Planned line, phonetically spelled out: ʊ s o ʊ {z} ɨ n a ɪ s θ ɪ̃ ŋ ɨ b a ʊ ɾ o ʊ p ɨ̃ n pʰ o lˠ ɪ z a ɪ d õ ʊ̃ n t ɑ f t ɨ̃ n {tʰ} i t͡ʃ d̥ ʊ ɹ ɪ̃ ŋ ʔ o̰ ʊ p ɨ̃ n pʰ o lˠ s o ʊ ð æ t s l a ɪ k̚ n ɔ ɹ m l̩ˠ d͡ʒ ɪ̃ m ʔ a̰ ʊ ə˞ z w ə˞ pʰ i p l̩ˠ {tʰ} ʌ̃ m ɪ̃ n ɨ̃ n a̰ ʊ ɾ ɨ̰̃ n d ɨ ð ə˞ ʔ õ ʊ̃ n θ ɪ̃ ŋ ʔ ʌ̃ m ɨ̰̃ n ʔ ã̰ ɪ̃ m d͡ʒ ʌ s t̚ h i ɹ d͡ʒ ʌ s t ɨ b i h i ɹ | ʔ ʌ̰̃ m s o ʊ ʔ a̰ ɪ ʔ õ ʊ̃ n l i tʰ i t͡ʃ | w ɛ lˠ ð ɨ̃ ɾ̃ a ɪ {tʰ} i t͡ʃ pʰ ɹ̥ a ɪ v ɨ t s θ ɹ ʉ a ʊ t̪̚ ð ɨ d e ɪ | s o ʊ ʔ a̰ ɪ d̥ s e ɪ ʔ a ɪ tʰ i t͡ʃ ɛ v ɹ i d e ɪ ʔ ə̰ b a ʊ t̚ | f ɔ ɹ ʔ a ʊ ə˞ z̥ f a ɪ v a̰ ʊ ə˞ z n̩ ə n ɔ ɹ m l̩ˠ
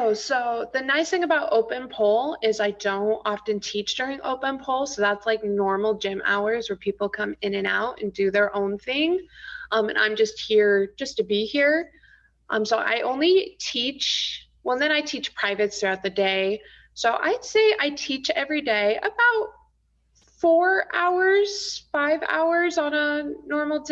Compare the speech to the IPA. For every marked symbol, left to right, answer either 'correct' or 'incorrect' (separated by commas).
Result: incorrect, correct, incorrect, correct